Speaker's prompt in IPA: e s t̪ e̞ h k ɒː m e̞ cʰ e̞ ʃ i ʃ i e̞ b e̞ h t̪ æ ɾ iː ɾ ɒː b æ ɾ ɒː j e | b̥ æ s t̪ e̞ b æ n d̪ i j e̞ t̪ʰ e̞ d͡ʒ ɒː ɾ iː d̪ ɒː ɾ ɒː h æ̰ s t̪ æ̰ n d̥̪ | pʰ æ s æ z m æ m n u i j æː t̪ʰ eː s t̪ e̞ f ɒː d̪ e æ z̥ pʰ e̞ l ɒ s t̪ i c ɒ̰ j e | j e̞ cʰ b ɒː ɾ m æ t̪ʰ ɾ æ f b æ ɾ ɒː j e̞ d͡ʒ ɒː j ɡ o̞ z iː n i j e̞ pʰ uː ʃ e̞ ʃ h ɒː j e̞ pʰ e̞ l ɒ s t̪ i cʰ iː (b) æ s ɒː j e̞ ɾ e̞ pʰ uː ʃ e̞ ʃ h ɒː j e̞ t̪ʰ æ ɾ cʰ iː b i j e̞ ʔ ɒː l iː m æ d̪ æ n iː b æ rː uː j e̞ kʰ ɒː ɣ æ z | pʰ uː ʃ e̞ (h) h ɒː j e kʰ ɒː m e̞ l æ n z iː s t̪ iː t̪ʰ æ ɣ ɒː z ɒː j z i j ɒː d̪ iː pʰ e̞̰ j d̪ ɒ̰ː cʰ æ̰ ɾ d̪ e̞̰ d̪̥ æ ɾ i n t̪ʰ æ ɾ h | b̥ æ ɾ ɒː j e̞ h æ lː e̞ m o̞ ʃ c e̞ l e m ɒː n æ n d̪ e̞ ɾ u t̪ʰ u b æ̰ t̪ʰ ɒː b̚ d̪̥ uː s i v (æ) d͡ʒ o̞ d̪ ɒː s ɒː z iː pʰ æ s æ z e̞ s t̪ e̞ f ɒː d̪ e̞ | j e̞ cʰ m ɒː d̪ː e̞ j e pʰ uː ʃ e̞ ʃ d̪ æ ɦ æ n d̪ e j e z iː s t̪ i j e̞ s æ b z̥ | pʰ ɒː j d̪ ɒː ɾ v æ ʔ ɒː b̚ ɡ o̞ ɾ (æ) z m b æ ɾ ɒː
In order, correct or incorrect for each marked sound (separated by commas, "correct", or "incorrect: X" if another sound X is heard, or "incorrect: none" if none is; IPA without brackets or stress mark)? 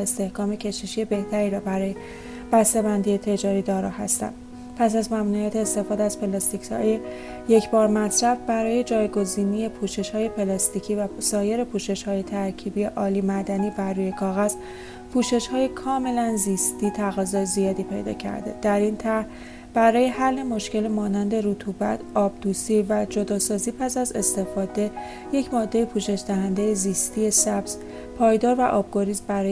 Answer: incorrect: v, incorrect: ʃ, correct, incorrect: i